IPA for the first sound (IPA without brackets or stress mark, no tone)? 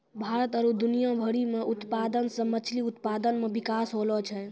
bʱ